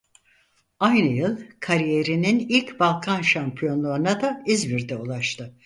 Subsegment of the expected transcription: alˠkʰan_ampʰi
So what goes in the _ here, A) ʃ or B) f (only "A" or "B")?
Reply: A